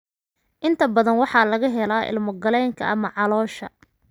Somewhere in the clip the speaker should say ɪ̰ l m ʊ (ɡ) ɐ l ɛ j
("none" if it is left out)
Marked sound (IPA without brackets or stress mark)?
ɡ